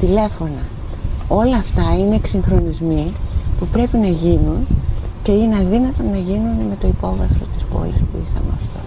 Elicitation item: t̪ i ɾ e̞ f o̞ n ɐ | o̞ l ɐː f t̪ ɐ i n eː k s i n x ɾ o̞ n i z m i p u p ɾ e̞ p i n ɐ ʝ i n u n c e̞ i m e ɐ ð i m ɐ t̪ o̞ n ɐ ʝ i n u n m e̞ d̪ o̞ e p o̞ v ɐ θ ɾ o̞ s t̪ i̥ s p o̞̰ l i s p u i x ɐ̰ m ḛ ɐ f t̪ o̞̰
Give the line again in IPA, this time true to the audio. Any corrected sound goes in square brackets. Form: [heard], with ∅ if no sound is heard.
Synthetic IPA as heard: t̪ i [l] e̞ f o̞ n ɐ | o̞ l ɐː f t̪ ɐ i n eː k s i [ŋ] x ɾ o̞ n i z m i p u p ɾ e̞ p i n ɐ ʝ i n u n c e̞ i [n] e ɐ ð i [n] ɐ t̪ o̞ n ɐ ʝ i n u n m e̞ [t̪] o̞ [i] p o̞ v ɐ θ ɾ o̞ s t̪ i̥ s p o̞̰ l i s p u i x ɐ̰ m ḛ ɐ f t̪ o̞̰